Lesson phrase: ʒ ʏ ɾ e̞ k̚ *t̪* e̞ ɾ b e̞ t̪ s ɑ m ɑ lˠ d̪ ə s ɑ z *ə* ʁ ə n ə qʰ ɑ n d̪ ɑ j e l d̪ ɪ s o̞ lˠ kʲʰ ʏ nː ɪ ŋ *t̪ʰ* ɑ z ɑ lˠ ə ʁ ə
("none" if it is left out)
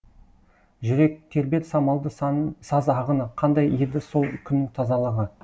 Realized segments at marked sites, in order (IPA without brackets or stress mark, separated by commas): t̪ʰ, ɑ, t̪ʰ